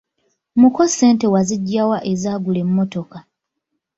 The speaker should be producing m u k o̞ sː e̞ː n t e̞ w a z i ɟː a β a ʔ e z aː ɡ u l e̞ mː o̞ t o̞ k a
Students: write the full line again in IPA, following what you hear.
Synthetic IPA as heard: m u k o̞ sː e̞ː n t e̞ w a z i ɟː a w a ʔ e z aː ɡ u l e̞ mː o̞ t o̞ k a